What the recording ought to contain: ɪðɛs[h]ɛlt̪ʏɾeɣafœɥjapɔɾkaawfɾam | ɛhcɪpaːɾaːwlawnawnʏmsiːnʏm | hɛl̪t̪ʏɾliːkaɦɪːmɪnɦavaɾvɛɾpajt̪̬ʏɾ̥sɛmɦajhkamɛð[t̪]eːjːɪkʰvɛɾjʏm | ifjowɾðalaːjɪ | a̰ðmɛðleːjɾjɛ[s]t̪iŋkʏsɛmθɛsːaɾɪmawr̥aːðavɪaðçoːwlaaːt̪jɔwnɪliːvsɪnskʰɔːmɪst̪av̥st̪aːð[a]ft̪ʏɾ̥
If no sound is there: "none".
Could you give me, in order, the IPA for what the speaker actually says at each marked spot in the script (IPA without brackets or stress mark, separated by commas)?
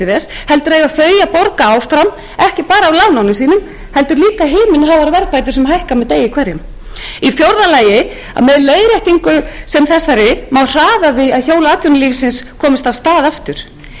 h, t̪, h, a